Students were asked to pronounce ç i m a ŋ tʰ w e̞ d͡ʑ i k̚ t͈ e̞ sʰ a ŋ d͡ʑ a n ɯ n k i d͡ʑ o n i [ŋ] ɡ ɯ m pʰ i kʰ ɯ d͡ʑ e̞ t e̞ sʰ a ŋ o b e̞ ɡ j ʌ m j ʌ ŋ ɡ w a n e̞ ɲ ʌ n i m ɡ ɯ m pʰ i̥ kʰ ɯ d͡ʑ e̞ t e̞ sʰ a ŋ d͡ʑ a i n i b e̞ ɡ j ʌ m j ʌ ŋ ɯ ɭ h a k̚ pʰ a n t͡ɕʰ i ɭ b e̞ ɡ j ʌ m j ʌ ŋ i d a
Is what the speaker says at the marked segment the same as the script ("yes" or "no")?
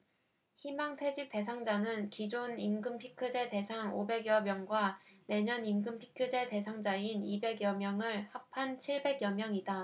no